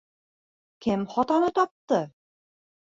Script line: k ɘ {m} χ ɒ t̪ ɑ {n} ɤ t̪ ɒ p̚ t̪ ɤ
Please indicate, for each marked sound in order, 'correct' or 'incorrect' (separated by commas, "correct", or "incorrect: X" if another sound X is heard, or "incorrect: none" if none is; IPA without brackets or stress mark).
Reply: correct, correct